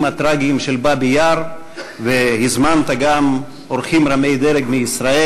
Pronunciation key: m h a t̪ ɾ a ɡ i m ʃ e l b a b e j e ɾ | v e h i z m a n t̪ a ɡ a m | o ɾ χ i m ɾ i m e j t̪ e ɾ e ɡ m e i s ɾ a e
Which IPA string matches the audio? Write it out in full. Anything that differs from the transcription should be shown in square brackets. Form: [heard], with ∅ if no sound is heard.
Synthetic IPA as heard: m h a t̪ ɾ a ɡ i m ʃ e l b a b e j [a] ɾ | v e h i z m a n t̪ a ɡ a m | o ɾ χ i m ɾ [a] m e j [d̪] e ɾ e ɡ m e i s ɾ a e